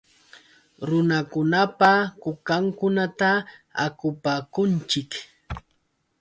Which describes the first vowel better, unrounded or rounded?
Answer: rounded